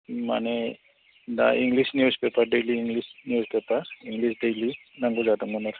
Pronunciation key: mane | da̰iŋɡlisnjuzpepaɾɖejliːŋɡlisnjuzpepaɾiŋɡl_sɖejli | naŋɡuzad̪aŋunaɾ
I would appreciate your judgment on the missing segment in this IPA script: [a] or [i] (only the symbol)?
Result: i